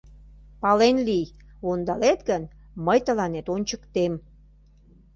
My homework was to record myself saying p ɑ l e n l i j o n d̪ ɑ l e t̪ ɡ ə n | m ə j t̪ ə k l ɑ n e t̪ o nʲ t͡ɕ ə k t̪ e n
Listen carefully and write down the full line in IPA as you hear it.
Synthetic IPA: p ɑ l e n l i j o n d̪ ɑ l e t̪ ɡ ə n | m ə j t̪ ə l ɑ n e t̪ o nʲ t͡ɕ ə k t̪ e m